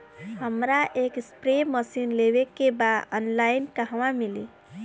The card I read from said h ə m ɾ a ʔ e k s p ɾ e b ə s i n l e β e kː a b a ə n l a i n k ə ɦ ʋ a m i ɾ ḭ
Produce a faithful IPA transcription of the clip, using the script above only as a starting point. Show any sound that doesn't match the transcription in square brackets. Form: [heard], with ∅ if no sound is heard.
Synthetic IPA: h ə m ɾ a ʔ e k s p ɾ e [m] ə s i n l e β e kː [e] b a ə n l a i n k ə ɦ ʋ a m i [l] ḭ